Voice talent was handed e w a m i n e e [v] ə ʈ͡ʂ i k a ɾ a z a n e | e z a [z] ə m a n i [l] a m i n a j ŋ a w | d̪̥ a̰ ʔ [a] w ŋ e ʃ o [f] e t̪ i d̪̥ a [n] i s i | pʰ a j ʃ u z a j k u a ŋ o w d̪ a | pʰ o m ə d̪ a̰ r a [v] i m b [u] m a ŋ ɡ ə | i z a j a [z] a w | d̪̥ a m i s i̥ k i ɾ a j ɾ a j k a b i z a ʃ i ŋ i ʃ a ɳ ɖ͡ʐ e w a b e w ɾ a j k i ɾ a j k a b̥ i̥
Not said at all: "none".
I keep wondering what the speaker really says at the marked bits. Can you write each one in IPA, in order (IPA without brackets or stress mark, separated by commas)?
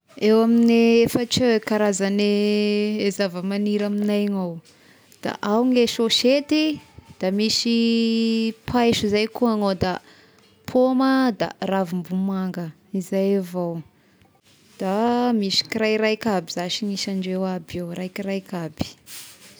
f, v, ɾ, a, ʃ, m, v, u, v